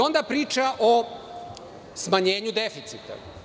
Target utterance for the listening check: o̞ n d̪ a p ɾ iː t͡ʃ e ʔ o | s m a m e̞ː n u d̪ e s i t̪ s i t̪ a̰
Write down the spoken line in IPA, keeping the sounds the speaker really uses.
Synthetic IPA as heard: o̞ n d̪ a p ɾ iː t͡ʃ a ʔ o | s m a ɲ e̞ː ɲ u d̪ e f i t̪ s i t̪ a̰